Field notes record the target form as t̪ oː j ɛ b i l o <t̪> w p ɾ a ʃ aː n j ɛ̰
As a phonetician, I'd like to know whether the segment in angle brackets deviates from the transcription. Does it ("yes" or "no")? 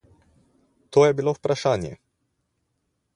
yes